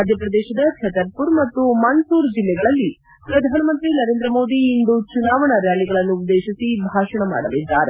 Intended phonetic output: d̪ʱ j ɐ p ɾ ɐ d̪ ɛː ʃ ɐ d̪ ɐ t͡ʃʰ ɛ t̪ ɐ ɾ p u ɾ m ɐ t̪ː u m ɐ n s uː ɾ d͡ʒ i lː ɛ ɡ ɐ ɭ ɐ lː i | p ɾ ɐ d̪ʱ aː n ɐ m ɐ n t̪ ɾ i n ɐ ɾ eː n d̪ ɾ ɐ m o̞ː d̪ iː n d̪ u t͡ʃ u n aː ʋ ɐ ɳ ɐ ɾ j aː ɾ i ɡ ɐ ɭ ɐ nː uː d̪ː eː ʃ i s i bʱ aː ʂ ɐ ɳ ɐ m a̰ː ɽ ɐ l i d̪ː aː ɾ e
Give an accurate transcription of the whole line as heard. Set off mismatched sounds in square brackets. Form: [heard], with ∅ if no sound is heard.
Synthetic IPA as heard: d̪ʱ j ɐ p ɾ ɐ d̪ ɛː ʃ ɐ d̪ ɐ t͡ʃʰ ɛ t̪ ɐ ɾ p u ɾ m ɐ t̪ː u m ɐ n s uː ɾ d͡ʒ i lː ɛ ɡ ɐ ɭ ɐ lː i | p ɾ ɐ d̪ʱ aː n ɐ m ɐ n t̪ ɾ i n ɐ ɾ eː n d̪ ɾ ɐ m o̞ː d̪ iː n d̪ u t͡ʃ u n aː ʋ ɐ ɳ ɐ ɾ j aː [l] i ɡ ɐ ɭ ɐ nː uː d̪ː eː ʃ i s i bʱ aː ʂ ɐ ɳ ɐ m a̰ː ɽ ɐ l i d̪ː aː ɾ e